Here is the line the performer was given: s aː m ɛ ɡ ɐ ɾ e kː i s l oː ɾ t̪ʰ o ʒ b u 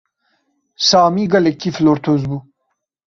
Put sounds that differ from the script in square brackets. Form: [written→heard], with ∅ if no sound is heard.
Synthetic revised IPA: s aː m [ɛ→i] ɡ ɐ [ɾ→l] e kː i [s→f] l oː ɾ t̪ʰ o [ʒ→z] b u